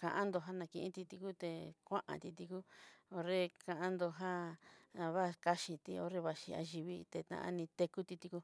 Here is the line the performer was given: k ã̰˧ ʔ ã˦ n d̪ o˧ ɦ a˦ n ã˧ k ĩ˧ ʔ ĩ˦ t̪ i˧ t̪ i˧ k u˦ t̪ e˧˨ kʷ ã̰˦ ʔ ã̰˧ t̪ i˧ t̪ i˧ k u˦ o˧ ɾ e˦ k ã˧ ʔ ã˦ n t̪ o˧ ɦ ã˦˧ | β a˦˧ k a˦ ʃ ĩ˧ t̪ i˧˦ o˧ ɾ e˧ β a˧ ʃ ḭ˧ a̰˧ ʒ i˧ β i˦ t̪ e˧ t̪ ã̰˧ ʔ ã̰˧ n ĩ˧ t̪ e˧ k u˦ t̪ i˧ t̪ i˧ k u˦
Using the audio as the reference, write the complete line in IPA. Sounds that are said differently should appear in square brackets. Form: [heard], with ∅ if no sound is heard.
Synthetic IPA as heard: k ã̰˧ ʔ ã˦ n d̪ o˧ ɦ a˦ n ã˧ k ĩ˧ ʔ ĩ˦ t̪ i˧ t̪ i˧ k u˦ t̪ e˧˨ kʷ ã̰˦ ʔ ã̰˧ t̪ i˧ t̪ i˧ k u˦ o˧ ɾ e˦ k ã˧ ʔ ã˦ n [d̪] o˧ ɦ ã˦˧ | β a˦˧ k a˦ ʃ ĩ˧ t̪ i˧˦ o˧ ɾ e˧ β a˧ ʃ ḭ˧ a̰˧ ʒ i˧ β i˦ t̪ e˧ t̪ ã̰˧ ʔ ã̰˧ n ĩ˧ t̪ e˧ k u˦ t̪ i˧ t̪ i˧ k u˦